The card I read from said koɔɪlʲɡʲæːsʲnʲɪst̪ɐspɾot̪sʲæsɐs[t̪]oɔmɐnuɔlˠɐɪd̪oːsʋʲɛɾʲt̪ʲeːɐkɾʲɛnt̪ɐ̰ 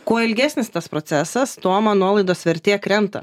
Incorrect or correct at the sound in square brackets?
correct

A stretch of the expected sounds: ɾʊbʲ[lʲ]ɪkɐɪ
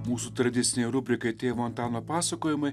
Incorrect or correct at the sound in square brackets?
incorrect: ɾʲ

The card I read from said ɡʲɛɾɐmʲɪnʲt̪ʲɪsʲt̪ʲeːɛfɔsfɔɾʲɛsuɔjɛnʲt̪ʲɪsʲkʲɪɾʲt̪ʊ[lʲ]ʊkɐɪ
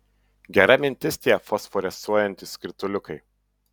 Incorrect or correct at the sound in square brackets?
correct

